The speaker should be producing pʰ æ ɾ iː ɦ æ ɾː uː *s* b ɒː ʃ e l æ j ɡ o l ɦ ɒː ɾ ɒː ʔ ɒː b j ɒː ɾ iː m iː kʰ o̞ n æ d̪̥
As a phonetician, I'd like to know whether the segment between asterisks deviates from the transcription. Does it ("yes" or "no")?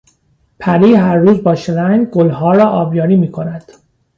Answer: yes